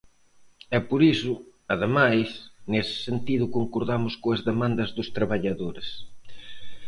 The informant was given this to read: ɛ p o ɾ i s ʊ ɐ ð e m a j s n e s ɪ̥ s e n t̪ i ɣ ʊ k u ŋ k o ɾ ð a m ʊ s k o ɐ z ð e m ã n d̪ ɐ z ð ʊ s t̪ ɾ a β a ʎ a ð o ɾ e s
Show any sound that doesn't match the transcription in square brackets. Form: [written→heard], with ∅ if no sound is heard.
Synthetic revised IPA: ɛ p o ɾ i s ʊ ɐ ð e m a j s n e s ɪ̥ s e n t̪ i [ɣ→ð] ʊ k [u→o] ŋ k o ɾ ð a m ʊ s k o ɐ z ð e m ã n d̪ ɐ z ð ʊ s t̪ ɾ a β a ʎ a ð o ɾ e s